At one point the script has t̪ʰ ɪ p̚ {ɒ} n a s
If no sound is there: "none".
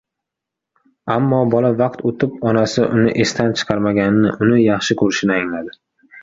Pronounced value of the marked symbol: ɒ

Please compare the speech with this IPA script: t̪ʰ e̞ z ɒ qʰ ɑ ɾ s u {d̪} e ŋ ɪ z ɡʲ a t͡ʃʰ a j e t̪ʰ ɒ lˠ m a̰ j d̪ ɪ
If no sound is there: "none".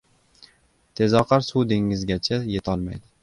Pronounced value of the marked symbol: d̪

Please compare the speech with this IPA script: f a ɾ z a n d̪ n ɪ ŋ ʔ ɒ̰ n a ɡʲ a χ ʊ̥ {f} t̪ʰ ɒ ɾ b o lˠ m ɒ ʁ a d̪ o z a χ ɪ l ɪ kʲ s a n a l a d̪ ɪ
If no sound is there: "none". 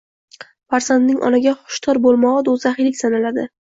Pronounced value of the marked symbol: ʃ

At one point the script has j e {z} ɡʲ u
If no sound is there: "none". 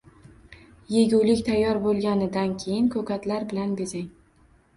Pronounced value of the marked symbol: none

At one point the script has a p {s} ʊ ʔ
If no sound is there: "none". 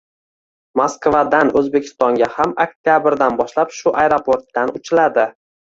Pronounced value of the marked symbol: ʃ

